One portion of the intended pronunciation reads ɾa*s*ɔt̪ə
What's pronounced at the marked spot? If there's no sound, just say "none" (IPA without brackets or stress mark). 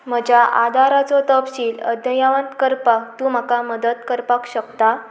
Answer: t͡s